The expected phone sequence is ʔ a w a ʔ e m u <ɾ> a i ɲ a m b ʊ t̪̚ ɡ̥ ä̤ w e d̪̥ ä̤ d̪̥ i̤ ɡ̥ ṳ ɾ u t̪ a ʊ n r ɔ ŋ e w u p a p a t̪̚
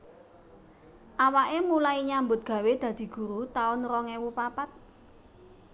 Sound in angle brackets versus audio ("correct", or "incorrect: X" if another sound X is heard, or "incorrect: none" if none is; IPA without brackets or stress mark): incorrect: l